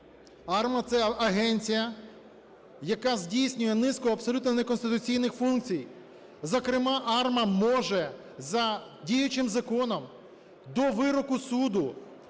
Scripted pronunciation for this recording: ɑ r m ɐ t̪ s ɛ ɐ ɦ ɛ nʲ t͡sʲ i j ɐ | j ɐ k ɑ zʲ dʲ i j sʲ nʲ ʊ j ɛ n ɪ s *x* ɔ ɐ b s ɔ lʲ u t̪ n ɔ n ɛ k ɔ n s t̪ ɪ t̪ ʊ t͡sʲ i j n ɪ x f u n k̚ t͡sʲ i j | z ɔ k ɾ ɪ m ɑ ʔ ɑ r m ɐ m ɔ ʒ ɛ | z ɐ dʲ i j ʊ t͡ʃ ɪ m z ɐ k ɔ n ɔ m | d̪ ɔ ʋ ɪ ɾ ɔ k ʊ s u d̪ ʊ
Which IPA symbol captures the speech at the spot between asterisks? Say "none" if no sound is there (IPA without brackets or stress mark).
k